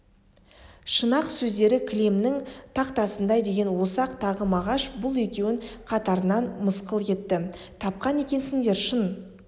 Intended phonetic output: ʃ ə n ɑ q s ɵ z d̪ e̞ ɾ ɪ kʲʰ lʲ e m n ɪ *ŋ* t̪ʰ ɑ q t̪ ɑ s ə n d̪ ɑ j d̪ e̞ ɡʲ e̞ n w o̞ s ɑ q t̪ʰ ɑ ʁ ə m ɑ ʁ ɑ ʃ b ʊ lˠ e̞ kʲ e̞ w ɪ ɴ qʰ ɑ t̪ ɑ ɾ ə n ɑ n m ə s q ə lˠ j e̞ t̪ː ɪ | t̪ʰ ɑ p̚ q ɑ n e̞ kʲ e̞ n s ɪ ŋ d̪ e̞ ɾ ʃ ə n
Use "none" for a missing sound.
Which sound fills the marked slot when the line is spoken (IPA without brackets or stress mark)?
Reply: ŋ